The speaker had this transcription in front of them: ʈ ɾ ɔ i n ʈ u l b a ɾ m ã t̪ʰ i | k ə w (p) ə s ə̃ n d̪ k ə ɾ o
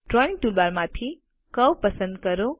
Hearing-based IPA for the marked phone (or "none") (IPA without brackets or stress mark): p